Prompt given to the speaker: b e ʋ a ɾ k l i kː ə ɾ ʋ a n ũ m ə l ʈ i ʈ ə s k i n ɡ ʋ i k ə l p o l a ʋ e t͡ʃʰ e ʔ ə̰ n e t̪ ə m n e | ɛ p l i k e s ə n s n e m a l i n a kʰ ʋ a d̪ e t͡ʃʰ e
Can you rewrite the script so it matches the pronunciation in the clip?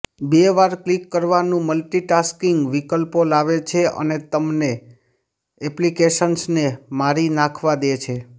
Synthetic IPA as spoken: b e ʋ a ɾ k l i kː ə ɾ ʋ a n ũ m ə l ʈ i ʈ a s k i ŋ ɡ ʋ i k ə l p o l a ʋ e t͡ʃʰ e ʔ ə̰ n e t̪ ə m n e | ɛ p l i k e ʃ ə n s n e m a ɾ i n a kʰ ʋ a d̪ e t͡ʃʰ e